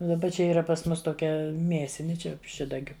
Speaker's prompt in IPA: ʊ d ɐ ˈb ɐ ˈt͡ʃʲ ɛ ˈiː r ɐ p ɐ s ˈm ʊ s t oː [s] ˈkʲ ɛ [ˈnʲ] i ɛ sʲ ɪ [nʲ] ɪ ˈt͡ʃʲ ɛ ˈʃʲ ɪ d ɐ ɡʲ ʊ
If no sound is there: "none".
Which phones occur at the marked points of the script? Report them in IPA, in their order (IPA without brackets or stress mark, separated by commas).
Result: none, mʲ, nʲ